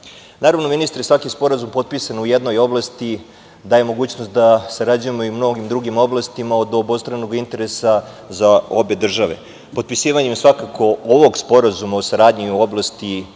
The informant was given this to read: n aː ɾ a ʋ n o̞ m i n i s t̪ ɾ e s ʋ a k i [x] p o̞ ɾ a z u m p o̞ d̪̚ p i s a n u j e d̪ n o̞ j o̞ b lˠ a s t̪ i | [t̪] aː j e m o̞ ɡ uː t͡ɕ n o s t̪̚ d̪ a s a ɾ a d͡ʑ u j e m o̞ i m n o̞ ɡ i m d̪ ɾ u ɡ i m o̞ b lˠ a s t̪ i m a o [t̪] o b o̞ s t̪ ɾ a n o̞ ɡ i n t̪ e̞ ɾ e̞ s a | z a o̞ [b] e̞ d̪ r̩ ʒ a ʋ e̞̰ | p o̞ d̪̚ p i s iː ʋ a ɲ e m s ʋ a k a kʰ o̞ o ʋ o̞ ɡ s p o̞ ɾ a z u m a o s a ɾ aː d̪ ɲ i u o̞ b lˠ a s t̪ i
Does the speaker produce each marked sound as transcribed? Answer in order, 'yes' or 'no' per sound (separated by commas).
no, no, no, yes